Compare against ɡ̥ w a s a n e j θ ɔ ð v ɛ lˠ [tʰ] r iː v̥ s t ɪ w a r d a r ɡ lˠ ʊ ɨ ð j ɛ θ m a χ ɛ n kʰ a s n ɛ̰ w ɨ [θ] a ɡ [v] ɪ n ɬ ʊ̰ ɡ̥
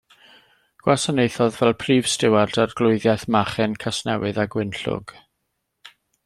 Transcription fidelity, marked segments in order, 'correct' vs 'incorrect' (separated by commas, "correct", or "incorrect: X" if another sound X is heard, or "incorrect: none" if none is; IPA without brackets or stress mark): incorrect: pʰ, incorrect: ð, incorrect: w